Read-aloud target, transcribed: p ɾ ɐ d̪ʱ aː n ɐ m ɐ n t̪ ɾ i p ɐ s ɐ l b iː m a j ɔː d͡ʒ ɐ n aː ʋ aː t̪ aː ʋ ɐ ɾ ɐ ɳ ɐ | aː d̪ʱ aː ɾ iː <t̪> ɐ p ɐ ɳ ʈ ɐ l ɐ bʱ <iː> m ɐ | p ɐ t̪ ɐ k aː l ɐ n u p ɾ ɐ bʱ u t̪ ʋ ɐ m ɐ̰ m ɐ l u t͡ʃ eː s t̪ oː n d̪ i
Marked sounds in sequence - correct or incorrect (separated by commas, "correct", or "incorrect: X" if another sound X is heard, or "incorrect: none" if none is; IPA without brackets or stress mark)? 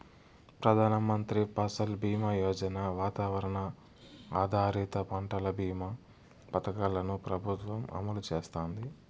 correct, correct